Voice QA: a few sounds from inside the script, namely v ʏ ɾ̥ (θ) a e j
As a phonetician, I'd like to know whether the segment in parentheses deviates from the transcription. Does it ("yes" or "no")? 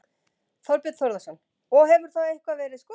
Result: no